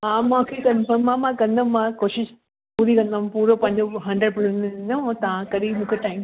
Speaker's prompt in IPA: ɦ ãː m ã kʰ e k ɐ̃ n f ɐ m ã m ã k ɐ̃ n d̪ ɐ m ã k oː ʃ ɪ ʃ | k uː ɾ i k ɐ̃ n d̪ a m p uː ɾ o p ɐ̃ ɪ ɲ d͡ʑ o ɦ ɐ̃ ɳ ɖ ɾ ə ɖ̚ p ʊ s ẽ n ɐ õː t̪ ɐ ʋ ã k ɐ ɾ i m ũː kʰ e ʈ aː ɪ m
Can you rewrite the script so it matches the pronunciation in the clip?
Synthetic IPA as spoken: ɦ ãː m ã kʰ e k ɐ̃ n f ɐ m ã m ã k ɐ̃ n d̪ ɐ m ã k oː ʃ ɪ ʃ | p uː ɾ i k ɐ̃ n d̪ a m p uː ɾ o p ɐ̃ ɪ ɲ d͡ʑ o ɦ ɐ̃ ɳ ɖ ɾ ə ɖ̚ p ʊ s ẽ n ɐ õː t̪ ɐ ʋ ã k ɐ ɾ i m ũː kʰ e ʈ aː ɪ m